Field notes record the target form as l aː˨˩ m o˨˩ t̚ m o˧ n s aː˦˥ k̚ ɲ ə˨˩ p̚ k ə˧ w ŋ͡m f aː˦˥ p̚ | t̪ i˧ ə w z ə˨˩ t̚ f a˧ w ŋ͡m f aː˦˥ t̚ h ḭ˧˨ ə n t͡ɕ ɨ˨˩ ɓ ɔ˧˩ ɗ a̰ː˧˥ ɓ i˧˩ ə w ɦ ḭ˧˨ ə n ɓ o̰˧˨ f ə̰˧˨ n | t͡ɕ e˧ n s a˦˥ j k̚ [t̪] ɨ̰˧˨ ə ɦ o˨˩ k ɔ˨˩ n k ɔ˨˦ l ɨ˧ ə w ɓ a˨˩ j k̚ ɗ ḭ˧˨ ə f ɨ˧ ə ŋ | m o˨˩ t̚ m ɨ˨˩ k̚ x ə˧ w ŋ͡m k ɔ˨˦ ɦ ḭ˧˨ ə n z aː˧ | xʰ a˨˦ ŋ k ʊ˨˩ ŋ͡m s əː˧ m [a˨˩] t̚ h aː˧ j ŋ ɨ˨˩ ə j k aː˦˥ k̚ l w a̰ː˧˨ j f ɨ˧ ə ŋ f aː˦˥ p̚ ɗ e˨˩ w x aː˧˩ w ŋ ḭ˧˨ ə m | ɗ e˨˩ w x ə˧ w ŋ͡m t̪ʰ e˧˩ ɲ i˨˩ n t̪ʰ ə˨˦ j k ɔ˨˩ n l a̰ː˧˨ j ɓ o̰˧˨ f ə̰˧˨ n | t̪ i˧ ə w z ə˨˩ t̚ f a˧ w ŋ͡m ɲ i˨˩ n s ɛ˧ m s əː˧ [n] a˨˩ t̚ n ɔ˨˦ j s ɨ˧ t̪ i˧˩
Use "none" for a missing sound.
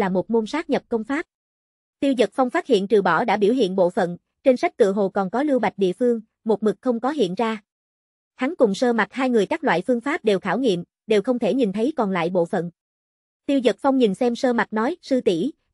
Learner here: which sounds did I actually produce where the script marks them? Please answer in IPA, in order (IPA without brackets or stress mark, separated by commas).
t̪, a˨˩, m